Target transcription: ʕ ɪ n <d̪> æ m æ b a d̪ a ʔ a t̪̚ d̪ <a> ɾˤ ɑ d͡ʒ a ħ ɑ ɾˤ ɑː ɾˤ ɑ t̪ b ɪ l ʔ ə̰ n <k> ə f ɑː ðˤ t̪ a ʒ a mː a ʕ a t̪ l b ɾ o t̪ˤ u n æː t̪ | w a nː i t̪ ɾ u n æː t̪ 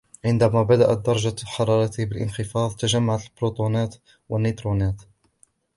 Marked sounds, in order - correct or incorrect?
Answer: correct, incorrect, incorrect

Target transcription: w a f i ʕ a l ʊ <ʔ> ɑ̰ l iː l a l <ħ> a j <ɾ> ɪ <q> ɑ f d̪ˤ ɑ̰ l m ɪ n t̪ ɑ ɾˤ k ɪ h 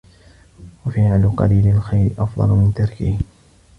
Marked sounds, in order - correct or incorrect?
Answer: incorrect, incorrect, correct, incorrect

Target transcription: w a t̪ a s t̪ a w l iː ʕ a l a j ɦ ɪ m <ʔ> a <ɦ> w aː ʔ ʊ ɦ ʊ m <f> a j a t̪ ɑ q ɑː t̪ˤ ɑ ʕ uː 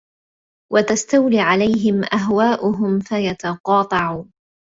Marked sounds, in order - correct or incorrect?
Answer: correct, correct, correct

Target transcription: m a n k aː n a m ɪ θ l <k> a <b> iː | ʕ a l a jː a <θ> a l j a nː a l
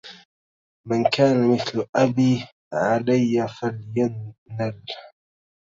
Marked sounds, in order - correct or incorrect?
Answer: incorrect, correct, incorrect

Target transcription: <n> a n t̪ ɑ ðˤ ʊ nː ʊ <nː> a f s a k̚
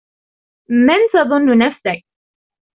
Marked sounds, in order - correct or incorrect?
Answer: incorrect, incorrect

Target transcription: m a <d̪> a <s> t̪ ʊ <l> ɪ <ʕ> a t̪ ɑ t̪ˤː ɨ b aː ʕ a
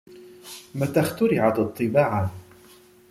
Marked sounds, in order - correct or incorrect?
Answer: incorrect, incorrect, incorrect, correct

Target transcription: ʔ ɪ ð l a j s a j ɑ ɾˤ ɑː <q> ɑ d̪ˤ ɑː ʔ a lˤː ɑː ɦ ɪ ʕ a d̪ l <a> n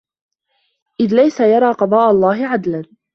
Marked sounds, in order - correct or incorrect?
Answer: correct, correct

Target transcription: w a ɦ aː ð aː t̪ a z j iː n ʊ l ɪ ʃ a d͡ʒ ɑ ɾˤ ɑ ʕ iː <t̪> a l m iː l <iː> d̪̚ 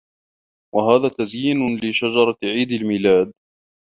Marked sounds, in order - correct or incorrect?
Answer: incorrect, incorrect

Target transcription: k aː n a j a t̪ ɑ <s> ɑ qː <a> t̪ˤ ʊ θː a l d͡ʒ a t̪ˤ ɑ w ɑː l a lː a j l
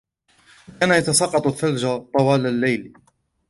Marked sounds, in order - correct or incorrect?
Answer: correct, incorrect

